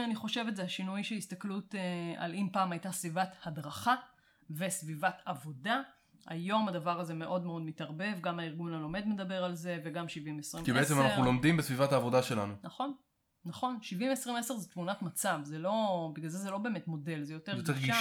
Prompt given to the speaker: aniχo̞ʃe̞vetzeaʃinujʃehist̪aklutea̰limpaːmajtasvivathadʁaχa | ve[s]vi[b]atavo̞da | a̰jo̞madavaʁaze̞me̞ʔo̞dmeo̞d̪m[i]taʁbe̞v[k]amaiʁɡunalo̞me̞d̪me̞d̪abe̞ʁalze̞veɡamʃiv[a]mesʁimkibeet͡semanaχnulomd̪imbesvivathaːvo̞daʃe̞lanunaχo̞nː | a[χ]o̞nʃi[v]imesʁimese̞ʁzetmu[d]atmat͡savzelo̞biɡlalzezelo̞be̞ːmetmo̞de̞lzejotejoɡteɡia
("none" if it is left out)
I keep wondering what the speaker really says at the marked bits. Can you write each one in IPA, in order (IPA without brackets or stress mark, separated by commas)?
s, v, i, ɡ, i, χ, v, n